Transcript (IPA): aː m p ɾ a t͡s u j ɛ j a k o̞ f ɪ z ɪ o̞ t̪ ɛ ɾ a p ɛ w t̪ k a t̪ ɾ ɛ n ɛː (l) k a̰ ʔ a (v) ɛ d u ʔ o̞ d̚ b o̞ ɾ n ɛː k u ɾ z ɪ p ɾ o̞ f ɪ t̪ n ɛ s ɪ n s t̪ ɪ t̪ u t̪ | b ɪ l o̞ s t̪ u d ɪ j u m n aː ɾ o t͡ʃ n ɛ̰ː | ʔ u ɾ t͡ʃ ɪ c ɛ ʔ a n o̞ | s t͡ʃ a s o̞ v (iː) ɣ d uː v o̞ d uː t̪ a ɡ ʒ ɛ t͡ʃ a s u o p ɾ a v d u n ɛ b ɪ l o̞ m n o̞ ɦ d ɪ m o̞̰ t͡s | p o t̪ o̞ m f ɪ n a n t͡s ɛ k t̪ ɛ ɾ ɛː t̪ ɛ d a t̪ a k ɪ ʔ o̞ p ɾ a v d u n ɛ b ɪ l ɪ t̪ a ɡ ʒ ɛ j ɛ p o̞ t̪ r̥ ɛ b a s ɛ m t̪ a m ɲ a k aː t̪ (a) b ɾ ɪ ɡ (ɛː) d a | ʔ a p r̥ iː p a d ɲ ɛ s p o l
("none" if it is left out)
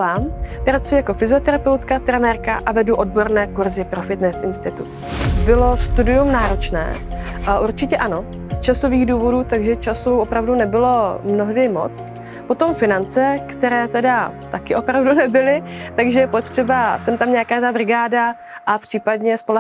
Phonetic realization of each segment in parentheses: ɾ, v, iː, a, aː

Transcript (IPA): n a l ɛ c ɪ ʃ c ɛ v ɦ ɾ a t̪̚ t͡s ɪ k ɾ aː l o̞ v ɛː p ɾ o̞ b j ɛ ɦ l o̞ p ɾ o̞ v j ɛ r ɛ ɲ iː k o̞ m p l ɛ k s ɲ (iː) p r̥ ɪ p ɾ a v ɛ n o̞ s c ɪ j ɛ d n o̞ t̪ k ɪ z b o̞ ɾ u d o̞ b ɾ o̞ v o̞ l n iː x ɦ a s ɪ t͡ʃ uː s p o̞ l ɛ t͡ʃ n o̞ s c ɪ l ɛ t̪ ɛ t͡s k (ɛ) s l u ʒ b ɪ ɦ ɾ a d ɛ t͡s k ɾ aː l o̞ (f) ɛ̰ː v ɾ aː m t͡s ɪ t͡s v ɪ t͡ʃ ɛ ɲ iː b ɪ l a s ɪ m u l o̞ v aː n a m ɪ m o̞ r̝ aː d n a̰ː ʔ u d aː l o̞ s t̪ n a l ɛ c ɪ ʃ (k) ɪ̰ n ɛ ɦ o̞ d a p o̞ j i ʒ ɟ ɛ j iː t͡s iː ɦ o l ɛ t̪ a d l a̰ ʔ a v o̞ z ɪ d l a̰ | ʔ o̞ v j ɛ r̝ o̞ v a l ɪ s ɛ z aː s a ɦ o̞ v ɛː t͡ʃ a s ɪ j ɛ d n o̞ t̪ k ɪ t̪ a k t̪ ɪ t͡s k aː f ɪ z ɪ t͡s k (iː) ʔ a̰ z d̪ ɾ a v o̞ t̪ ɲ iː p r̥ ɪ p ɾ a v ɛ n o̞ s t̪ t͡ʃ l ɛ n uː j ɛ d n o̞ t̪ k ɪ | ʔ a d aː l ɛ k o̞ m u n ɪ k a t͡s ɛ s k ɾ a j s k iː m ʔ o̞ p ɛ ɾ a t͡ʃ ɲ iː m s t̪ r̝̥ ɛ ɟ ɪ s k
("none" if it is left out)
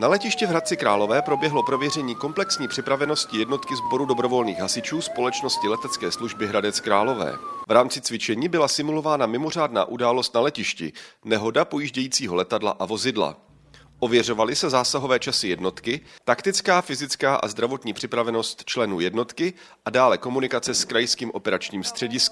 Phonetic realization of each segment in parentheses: iː, ɛː, v, c, aː

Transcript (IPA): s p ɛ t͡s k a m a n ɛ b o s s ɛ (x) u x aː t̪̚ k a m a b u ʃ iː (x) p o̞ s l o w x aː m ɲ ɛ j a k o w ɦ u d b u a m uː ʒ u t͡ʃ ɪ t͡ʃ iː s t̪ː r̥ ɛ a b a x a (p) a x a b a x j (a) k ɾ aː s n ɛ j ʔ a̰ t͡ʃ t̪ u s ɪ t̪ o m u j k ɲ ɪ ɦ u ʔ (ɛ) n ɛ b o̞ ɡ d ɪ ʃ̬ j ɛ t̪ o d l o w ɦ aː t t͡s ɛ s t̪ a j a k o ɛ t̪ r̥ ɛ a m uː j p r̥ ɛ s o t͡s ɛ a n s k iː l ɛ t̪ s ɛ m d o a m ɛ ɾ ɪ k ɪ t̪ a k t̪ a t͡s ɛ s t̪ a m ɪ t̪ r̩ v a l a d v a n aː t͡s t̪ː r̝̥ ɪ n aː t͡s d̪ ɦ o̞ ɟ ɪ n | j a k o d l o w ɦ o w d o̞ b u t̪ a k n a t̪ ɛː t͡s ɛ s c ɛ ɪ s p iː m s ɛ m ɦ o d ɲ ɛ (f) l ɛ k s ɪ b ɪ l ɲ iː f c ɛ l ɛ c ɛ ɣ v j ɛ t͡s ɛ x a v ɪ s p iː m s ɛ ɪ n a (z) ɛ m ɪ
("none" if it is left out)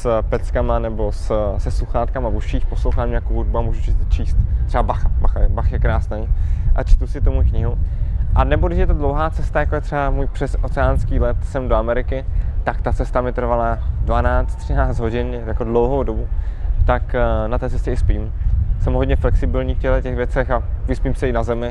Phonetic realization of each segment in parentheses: s, x, b, ɛ, a, f, z

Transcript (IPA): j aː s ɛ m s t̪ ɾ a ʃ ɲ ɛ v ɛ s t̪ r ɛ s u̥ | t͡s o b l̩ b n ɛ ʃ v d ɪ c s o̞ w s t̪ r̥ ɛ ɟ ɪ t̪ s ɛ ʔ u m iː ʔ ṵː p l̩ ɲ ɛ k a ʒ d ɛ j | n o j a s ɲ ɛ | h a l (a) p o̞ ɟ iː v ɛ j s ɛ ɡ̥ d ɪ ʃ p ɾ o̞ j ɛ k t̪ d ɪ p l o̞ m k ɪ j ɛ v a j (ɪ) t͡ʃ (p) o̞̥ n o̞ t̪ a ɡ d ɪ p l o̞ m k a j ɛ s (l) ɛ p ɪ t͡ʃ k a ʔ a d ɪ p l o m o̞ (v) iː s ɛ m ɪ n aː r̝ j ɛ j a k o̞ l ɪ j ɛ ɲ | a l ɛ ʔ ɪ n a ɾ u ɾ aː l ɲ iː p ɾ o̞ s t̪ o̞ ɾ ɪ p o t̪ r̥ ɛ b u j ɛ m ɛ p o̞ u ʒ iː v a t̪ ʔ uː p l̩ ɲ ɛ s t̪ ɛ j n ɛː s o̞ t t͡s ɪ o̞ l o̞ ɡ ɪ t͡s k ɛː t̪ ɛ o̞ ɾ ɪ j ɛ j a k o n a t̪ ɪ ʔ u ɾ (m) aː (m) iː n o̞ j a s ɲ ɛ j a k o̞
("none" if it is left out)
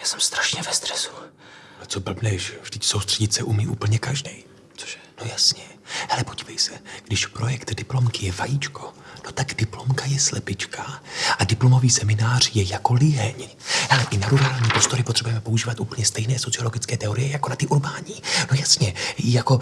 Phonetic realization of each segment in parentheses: ɛ, i, k, l, v, b, ɲ

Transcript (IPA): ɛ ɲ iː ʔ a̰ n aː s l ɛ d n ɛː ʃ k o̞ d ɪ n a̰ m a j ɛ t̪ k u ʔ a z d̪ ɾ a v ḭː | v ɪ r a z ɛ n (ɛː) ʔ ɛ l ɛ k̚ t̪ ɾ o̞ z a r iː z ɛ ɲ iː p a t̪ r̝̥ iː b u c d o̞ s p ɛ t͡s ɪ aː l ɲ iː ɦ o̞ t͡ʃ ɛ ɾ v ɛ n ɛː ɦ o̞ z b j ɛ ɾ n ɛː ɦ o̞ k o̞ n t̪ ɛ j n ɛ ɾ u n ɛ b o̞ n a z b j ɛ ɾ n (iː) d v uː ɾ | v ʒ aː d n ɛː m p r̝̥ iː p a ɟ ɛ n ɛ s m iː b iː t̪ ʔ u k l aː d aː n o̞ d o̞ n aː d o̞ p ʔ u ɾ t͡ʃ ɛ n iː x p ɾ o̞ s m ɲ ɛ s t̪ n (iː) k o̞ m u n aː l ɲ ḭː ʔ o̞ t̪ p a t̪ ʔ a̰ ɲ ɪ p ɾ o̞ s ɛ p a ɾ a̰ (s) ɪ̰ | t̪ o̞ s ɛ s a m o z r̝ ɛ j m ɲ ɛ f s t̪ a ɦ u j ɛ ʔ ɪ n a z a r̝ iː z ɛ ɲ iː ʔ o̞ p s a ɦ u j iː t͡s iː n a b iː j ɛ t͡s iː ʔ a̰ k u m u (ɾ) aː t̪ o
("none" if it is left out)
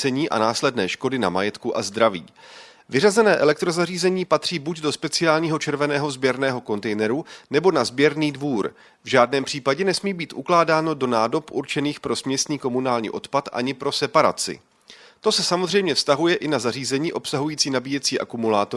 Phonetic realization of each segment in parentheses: ɛː, iː, iː, t͡s, l

